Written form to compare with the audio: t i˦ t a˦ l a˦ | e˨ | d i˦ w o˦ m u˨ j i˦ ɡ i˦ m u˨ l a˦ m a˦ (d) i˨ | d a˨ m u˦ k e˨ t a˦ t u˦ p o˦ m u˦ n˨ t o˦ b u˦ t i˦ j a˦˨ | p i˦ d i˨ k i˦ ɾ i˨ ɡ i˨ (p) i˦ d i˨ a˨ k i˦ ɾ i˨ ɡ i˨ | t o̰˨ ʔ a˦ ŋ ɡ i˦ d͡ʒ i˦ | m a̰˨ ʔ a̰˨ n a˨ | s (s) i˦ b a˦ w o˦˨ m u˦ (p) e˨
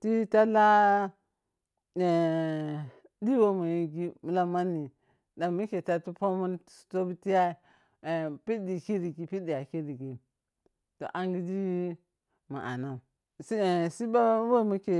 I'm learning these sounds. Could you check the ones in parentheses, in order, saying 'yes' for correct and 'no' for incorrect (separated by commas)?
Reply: no, yes, yes, no